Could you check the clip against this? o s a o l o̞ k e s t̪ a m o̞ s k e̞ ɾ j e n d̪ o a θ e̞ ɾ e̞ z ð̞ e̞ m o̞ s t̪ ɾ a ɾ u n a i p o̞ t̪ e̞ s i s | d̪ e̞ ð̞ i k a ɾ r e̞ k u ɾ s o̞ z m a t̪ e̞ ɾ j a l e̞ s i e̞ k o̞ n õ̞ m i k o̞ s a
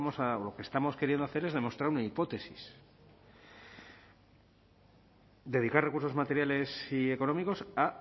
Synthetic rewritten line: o s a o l o̞ k e s t̪ a m o̞ s k e̞ ɾ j e n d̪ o a θ e̞ ɾ e̞ z ð̞ e̞ m o̞ s t̪ ɾ a ɾ u n a i p o̞ t̪ e̞ s i s | d̪ e̞ ð̞ i k a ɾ r e̞ k u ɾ s o̞ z m a t̪ e̞ ɾ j a l e̞ s i e̞ k o̞ n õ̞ m i k o̞ s a